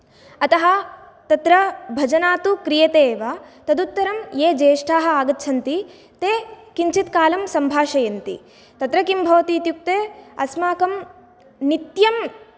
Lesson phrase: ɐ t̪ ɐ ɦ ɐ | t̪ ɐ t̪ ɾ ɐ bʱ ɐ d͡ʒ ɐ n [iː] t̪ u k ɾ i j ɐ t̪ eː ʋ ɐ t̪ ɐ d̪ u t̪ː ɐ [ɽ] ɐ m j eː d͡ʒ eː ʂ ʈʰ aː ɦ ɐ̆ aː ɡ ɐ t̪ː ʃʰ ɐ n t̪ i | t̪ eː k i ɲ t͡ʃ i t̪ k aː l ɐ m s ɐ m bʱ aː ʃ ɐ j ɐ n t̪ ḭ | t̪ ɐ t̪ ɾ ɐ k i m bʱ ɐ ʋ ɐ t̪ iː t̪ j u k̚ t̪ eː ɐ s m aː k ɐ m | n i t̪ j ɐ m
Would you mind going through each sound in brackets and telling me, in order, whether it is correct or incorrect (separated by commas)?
incorrect, incorrect